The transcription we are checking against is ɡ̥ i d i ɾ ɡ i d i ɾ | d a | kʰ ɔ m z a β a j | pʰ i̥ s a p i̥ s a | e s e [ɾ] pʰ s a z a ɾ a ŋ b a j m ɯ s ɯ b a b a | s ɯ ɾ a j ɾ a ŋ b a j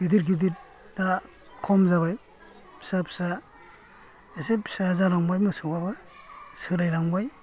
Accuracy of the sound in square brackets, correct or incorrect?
incorrect